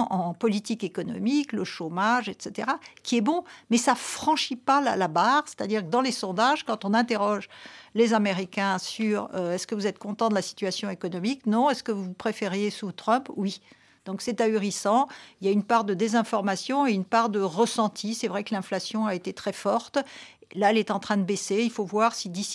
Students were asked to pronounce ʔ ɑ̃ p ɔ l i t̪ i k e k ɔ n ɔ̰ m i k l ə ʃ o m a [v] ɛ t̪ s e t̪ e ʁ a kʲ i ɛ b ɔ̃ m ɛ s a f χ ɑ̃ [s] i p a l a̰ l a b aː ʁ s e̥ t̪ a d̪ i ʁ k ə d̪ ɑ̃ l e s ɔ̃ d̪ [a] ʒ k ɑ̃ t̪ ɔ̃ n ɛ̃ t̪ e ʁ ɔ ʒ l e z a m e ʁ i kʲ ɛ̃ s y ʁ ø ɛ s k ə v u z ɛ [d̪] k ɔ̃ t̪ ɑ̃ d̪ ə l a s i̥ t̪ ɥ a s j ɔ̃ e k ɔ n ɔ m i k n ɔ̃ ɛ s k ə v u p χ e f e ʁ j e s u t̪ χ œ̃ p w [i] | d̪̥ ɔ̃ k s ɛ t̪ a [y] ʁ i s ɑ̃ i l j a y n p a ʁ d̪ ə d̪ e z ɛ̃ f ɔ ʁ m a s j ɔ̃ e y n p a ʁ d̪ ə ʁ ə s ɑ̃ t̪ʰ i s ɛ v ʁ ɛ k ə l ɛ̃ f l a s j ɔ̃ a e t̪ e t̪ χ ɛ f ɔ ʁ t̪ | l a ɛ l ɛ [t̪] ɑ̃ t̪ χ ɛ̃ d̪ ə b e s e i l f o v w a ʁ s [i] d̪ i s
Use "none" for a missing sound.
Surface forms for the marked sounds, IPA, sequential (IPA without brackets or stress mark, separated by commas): ʒ, ʃ, a, t̪, i, y, t̪, i